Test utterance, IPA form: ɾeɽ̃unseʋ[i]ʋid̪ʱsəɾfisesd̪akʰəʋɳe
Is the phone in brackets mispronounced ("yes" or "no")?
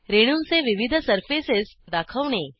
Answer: no